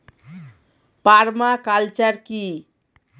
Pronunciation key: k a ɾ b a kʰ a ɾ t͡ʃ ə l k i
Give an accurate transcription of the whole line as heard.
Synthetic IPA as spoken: p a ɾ m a k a l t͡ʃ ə ɾ k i

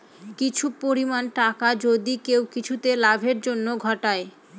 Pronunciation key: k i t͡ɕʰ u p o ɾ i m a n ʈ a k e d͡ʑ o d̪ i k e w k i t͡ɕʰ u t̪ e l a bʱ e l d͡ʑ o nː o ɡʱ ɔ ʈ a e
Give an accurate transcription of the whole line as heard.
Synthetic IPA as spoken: k i t͡ɕʰ u p o ɾ i m a n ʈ a k a d͡ʑ o d̪ i k e w k i t͡ɕʰ u t̪ e l a bʱ e ɾ d͡ʑ o nː o ɡʱ ɔ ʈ a e

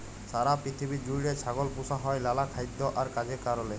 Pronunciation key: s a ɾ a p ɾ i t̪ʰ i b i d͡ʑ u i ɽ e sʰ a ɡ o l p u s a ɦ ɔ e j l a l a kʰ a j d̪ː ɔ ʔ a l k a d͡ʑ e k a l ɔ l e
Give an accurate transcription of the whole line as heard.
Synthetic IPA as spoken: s a ɾ a p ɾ i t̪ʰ i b i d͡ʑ u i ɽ e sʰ a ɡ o l p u s a ɦ ɔ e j l a l a kʰ a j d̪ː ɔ ʔ a ɾ k a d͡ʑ e k a ɾ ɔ l e

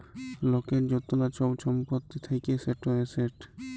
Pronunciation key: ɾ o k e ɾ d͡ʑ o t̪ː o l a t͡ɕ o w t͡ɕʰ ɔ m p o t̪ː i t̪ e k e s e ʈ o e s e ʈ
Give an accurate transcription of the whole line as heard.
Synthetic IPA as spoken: l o k e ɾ d͡ʑ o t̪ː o l a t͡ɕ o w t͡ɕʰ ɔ m p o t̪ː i t̪ʰ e k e s e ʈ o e s e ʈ

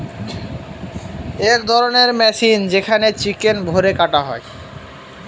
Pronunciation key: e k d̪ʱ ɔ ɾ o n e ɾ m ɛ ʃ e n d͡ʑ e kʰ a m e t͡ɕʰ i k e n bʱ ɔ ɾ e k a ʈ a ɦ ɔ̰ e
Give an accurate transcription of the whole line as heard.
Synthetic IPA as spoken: e k d̪ʱ ɔ ɾ o n e ɾ m ɛ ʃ i n d͡ʑ e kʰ a n e t͡ɕ i k e n bʱ o ɾ e k a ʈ a ɦ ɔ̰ e

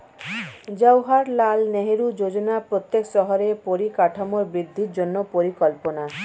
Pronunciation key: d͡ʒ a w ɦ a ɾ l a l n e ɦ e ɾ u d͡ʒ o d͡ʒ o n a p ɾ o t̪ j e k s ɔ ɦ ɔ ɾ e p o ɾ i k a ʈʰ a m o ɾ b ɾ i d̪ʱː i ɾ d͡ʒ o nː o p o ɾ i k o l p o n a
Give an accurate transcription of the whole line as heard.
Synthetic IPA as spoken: d͡ʒ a w ɦ a ɾ l a l n e ɦ e ɾ u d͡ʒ o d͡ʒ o n a p ɾ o t̪ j e k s ɔ ɦ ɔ ɾ e p o ɾ i k a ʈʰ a m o ɾ b ɾ i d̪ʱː i ɾ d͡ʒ o nː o p o ɾ i k ɔ l p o n a

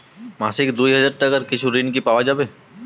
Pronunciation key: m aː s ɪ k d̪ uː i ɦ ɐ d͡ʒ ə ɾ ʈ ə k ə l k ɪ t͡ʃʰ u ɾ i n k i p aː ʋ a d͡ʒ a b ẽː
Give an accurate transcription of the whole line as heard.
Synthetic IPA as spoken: m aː s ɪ k d̪ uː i ɦ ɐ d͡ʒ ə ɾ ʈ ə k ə ɾ k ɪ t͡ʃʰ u ɾ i n k i p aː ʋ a d͡ʒ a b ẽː

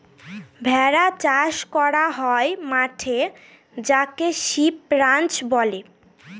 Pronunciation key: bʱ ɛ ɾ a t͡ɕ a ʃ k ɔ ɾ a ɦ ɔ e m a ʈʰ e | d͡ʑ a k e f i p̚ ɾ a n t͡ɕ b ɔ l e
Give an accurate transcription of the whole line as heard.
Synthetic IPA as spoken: bʱ ɛ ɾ a t͡ɕ a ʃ k ɔ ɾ a ɦ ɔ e m a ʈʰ e | d͡ʑ a k e ʃ i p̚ ɾ a n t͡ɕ b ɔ l e

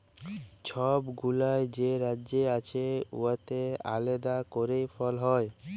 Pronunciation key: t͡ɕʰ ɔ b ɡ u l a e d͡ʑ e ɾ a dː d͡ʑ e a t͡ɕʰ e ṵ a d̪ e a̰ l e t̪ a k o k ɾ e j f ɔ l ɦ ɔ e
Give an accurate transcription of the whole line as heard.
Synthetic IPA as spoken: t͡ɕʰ ɔ b ɡ u l a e d͡ʑ e ɾ a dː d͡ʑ e a t͡ɕʰ e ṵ a t̪ e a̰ l e d̪ a k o ɾ e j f ɔ l ɦ ɔ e

